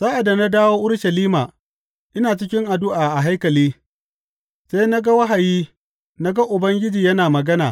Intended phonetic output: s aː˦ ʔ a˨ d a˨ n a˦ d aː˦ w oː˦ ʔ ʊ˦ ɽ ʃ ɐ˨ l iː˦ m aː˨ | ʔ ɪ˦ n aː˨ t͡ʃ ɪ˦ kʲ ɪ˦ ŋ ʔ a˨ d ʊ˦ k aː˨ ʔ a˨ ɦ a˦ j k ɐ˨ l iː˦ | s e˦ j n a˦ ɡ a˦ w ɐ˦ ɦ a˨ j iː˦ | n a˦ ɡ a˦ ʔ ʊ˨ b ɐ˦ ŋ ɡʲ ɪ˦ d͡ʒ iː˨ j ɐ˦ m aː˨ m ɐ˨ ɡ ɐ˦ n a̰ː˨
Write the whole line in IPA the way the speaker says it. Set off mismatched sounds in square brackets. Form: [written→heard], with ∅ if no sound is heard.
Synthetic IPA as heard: s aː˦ ʔ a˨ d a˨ n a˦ d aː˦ w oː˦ ʔ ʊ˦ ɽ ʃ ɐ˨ l iː˦ m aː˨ | ʔ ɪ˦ n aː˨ t͡ʃ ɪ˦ kʲ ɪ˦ ŋ ʔ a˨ d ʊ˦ [k→ʔ] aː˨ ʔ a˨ ɦ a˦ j k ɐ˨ l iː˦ | s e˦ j n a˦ ɡ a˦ w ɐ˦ ɦ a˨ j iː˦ | n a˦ ɡ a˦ ʔ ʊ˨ b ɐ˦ ŋ ɡʲ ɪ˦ d͡ʒ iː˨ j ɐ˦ [m→n] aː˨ m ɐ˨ ɡ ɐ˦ n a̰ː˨